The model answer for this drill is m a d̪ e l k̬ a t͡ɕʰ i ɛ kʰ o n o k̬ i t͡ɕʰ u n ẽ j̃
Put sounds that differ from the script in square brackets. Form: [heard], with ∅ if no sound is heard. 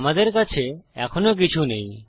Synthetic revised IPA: m a d̪ e [ɾ] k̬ a t͡ɕʰ [e] ɛ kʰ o n o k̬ i t͡ɕʰ u n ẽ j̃